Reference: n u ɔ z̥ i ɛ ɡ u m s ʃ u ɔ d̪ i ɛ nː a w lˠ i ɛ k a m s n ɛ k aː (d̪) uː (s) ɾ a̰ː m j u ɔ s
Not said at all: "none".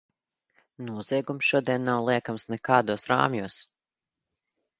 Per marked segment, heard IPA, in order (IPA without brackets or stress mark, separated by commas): d̪, s